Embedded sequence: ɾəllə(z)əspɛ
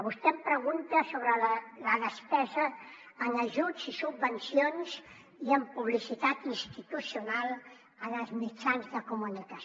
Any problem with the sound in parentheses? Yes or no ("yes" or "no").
yes